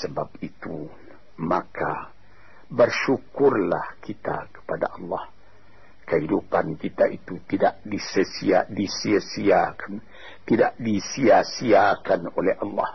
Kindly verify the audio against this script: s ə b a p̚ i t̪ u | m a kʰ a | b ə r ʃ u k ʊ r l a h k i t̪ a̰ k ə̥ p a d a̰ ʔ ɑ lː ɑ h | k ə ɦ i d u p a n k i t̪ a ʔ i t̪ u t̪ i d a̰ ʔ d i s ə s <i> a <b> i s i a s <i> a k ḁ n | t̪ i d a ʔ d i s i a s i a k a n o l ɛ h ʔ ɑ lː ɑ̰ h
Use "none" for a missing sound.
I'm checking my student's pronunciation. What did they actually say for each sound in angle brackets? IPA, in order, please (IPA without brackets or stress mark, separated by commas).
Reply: i, d, i